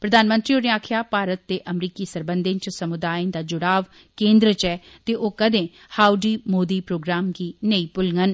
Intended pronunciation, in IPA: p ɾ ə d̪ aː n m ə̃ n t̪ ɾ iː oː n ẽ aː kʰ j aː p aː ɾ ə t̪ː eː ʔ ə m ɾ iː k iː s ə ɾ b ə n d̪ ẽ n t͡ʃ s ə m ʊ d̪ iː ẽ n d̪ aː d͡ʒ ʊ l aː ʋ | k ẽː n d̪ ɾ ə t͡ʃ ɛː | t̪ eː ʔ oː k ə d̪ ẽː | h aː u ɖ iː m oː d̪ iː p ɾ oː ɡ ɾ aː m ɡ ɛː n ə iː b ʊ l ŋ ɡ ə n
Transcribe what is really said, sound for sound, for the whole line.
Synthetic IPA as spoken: p ɾ ə d̪ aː n m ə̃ n t̪ ɾ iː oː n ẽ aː kʰ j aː p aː ɾ ə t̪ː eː ʔ ə m ɾ iː k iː s ə ɾ b ə n d̪ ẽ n t͡ʃ s ə m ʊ d̪ aː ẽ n d̪ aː d͡ʒ ʊ ɽ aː ʋ | k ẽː n d̪ ɾ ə t͡ʃ ɛː | t̪ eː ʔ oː k ə d̪ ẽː | h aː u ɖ iː m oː d̪ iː p ɾ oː ɡ ɾ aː m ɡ iː n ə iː p ʊ l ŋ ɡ ə n